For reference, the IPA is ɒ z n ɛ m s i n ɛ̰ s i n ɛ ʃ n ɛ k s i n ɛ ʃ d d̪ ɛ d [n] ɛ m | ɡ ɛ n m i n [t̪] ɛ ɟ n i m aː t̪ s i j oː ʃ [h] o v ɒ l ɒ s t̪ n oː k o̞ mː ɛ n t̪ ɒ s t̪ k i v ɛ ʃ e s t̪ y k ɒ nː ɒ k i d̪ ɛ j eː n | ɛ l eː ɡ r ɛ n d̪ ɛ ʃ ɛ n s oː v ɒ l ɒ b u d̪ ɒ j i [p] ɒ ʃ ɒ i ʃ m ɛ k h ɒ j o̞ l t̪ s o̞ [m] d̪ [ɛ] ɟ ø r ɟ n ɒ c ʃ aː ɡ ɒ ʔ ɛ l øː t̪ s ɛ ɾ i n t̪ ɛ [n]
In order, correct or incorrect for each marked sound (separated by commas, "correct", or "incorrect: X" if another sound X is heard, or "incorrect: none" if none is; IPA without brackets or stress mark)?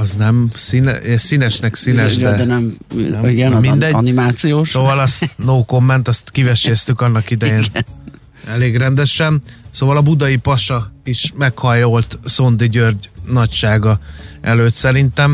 correct, incorrect: d̪, incorrect: s, correct, incorrect: n, incorrect: i, incorrect: m